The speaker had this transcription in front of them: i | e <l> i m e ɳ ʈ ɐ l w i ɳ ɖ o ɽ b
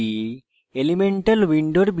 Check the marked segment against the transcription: correct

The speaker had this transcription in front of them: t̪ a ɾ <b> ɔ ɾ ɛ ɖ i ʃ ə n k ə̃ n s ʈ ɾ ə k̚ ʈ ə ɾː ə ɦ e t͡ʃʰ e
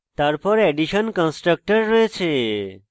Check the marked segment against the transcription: incorrect: p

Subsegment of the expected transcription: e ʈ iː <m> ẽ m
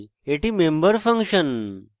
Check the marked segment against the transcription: correct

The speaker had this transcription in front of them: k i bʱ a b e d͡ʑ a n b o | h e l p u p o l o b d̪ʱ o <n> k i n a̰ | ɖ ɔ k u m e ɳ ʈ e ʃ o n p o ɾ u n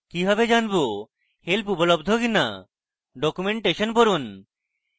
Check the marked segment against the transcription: incorrect: none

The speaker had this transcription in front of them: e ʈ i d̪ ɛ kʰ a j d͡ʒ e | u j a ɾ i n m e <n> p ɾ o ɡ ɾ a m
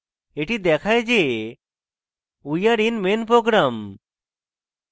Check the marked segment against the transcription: correct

